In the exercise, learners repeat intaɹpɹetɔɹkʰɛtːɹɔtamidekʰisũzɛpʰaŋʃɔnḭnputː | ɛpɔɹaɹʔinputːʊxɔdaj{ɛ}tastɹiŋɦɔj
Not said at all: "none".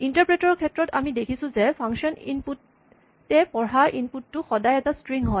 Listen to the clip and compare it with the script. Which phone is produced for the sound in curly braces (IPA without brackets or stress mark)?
ɛ